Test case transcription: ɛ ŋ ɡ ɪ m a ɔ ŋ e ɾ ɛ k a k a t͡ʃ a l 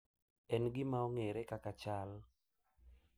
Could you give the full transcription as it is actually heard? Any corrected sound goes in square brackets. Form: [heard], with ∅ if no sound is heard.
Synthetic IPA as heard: ɛ [n] ɡ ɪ m a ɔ ŋ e ɾ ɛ k a k a t͡ʃ a l